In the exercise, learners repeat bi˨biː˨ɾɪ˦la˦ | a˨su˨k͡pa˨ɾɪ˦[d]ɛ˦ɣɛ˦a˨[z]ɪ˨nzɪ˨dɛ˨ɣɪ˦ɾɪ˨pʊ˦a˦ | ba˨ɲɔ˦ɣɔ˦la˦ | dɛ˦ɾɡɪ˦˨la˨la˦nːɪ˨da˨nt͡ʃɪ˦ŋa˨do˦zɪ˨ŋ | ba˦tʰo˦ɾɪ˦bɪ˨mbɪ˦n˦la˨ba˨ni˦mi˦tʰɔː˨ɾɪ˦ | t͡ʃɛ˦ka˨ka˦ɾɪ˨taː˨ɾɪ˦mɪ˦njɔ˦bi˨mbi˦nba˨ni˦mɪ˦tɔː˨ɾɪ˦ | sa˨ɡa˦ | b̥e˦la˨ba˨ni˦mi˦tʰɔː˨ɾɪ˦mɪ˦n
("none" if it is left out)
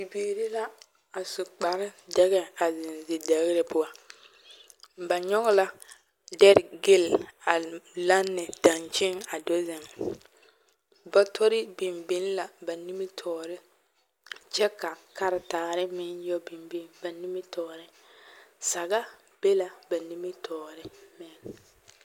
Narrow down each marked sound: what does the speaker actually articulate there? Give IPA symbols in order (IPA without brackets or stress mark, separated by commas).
d, z